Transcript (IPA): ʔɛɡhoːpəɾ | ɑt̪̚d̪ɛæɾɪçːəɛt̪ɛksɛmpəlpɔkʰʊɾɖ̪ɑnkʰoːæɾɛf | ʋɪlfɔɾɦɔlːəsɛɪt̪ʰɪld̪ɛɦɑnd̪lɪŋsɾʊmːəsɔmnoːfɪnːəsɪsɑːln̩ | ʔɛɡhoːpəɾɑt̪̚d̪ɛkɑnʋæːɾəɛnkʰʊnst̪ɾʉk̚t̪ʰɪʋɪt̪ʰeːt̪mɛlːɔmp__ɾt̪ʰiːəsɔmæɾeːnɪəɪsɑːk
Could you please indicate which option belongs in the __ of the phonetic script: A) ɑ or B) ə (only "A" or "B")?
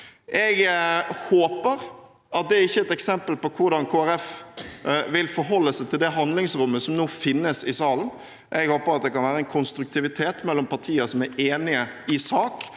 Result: A